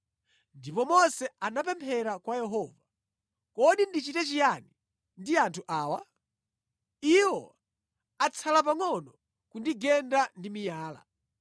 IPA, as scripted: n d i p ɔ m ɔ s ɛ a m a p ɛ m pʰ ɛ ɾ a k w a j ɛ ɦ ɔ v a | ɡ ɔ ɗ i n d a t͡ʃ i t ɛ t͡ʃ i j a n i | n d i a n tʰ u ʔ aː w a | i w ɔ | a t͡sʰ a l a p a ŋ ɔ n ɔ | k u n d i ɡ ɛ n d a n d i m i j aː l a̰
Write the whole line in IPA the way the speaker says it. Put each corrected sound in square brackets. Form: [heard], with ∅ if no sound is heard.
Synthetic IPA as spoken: n d i p ɔ m ɔ s ɛ a [n] a p ɛ m pʰ ɛ ɾ a k w a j ɛ ɦ ɔ v a | [k] ɔ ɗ i n d [i] t͡ʃ i t ɛ t͡ʃ i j a n i | n d i a n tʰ u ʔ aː w a | i w ɔ | a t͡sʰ a l a p a ŋ ɔ n ɔ | k u n d i ɡ ɛ n d a n d i m i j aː l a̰